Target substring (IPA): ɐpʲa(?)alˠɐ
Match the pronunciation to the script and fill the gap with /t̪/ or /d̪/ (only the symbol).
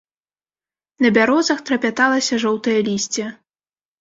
t̪